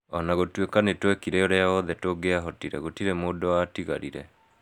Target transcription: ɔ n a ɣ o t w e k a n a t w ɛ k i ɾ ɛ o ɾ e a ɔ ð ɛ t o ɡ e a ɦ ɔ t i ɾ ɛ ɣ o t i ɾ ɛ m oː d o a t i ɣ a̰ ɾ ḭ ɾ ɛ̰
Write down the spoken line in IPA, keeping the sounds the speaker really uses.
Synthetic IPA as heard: ɔ n a ɣ o t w e k a n e t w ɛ k i ɾ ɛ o ɾ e a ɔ ð ɛ t o ɡ e a ɦ ɔ t i ɾ ɛ ɣ o t i ɾ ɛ m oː d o a t i ɣ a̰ ɾ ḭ ɾ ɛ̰